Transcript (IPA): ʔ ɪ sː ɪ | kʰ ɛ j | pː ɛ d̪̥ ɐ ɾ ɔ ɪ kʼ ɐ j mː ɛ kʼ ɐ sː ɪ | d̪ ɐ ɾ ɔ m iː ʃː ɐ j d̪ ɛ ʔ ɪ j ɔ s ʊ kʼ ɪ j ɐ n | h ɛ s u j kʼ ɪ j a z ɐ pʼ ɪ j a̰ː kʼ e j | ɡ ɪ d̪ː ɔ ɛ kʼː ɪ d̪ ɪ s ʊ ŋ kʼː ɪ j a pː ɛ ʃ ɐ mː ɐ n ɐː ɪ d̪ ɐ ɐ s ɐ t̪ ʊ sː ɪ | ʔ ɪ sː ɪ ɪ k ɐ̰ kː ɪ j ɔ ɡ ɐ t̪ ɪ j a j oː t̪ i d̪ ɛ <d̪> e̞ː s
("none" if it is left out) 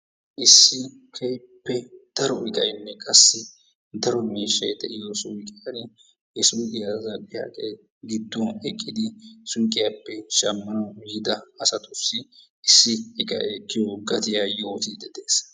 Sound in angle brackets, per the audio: d̪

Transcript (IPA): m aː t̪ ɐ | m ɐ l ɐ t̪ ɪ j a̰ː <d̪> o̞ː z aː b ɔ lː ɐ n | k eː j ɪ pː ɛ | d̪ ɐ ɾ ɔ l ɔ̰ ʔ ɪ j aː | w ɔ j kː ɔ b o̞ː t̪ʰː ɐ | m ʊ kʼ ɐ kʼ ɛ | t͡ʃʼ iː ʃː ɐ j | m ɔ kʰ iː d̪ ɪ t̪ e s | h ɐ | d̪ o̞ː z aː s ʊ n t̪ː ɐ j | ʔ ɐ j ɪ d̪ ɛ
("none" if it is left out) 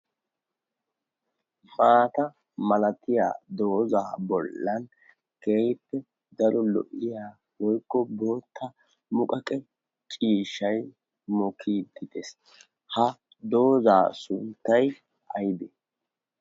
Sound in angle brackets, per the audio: d̪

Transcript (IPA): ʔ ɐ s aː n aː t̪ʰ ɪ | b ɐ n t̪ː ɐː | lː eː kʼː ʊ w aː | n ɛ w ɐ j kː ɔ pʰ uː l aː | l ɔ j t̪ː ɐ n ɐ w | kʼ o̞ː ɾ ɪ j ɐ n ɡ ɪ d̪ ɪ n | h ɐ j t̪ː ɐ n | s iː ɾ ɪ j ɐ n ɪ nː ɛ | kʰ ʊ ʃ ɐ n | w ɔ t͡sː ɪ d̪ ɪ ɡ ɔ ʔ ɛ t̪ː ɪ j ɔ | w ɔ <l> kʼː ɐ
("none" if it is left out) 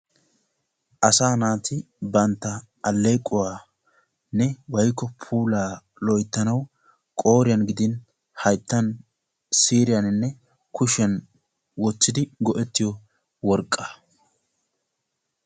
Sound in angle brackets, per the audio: ɾ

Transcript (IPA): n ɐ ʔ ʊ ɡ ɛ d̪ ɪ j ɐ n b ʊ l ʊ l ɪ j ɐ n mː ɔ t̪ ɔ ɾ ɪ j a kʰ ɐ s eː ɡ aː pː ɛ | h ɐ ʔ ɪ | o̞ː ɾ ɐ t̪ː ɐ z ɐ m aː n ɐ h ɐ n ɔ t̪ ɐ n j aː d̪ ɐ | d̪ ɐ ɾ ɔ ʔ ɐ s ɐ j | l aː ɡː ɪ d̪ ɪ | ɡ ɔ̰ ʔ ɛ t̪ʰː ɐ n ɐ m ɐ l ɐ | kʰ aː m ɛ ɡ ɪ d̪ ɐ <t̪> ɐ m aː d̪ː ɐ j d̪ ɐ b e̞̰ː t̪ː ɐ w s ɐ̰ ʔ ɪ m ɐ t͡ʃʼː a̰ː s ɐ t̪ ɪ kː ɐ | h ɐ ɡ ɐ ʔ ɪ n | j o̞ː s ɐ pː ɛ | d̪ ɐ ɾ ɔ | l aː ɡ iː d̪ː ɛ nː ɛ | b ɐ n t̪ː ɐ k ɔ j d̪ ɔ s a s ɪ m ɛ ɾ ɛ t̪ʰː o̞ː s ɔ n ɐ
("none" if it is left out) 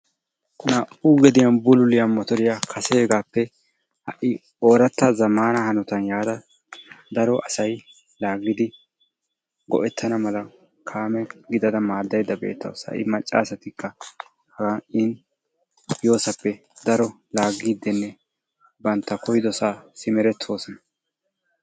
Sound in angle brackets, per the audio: d̪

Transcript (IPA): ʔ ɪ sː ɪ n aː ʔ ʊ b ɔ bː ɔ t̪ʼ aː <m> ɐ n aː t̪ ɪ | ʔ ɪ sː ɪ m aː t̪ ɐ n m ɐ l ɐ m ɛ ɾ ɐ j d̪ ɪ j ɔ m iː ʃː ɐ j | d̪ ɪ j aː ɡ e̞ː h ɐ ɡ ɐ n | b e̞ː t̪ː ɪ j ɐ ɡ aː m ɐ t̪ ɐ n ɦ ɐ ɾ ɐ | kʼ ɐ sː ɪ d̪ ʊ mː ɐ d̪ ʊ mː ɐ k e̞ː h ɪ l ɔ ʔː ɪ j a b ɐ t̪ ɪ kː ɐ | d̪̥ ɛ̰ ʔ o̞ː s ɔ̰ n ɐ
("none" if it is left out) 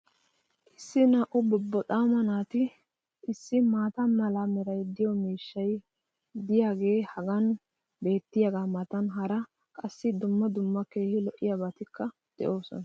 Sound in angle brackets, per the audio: m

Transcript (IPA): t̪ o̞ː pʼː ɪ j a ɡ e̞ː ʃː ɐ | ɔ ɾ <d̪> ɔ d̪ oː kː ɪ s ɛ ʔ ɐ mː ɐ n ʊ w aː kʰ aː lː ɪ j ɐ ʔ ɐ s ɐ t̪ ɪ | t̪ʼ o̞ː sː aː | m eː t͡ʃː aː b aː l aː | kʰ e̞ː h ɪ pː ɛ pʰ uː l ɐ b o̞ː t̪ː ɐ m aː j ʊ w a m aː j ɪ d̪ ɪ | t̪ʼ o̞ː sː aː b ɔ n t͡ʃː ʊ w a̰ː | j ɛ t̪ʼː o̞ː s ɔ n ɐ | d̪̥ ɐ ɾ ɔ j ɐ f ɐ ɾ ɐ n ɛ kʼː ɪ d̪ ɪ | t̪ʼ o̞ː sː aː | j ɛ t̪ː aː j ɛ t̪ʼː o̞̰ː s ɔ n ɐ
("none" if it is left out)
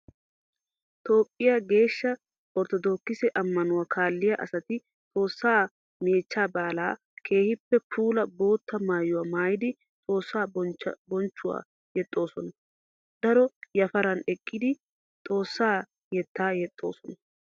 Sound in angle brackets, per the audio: t̪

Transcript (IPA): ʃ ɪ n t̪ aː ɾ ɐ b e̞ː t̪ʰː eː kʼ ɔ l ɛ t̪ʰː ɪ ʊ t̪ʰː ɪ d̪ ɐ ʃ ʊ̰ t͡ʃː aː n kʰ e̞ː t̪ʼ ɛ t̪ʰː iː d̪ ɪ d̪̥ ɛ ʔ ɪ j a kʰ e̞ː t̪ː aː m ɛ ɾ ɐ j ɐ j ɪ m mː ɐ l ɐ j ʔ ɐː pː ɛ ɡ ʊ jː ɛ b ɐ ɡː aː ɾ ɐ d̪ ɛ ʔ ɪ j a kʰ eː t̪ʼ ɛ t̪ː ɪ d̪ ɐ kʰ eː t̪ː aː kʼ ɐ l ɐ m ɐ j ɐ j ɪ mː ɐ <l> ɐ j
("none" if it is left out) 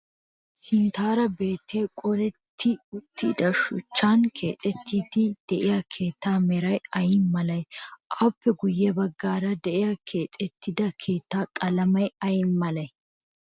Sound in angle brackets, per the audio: l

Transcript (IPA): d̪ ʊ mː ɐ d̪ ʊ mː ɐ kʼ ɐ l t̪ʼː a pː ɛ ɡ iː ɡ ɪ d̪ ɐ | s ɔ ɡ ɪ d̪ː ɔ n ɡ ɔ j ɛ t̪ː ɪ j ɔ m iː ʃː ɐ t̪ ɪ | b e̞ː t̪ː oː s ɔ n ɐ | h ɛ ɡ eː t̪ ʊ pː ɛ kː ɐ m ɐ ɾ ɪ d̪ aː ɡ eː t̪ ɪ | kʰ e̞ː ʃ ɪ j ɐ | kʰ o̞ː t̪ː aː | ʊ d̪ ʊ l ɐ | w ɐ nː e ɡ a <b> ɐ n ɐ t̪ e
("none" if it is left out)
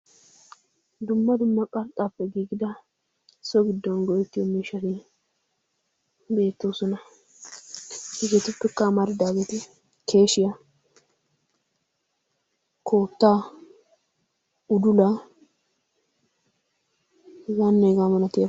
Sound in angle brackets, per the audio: m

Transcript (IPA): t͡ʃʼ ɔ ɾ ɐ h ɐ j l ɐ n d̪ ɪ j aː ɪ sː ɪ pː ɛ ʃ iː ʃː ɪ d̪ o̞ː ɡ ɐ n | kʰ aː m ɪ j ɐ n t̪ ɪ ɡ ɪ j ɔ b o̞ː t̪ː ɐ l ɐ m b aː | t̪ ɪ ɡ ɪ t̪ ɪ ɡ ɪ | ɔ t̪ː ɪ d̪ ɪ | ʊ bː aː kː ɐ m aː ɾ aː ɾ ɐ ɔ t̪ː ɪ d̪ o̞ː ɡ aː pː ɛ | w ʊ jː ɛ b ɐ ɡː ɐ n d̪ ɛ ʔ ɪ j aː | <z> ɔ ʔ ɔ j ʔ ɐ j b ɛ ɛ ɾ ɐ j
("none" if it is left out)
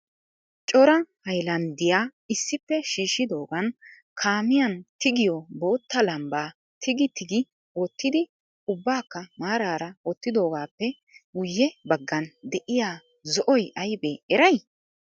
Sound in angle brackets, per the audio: z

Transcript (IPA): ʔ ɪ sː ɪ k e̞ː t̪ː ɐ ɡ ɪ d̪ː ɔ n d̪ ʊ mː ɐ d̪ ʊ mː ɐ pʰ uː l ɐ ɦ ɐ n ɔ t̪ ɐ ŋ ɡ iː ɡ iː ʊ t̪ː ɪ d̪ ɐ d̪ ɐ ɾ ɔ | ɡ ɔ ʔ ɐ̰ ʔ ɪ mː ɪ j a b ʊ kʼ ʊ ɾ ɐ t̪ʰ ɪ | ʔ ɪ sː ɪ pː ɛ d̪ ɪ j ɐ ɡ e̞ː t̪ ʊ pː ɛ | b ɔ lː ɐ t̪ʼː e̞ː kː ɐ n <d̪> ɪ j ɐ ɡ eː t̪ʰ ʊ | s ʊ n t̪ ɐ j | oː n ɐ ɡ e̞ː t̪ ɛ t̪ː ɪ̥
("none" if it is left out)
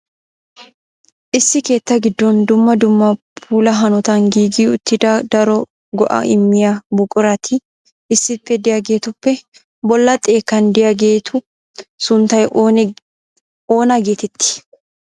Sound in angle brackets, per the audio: d̪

